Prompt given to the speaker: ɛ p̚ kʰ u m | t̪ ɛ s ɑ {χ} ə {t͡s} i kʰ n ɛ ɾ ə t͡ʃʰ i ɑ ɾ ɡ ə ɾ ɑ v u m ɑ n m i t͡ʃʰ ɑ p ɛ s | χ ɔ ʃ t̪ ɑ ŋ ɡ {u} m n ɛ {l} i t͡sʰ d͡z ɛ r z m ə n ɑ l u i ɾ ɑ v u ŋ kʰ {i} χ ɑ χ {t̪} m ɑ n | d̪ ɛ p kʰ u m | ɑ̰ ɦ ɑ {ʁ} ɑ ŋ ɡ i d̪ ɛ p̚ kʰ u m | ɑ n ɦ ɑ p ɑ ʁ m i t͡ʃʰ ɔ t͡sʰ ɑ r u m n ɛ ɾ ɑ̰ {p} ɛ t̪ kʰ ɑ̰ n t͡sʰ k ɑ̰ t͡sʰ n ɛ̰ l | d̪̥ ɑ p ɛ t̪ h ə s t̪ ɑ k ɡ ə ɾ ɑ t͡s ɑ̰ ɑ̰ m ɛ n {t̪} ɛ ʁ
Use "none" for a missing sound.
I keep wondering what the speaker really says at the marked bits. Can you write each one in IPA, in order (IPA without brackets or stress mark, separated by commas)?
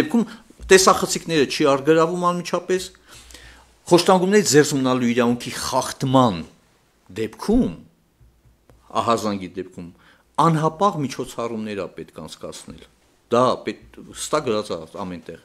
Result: χ, t͡sʰ, u, ɾ, i, t̪, z, p, t̪